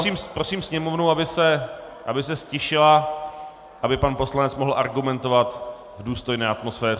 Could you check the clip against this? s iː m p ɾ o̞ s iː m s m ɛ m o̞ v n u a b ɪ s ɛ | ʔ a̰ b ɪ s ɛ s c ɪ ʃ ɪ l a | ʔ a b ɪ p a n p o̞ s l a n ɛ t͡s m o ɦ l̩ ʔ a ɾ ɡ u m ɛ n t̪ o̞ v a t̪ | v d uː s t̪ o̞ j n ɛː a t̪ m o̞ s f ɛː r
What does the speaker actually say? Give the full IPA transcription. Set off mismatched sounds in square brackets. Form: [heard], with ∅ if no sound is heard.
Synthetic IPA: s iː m p ɾ o̞ s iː m s [ɲ] ɛ m o̞ v n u a b ɪ s ɛ | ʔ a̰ b ɪ s ɛ s c ɪ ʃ ɪ l a | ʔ a b ɪ p a n p o̞ s l a n ɛ t͡s m o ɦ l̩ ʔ a ɾ ɡ u m ɛ n t̪ o̞ v a t̪ | v d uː s t̪ o̞ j n ɛː a t̪ m o̞ s f ɛː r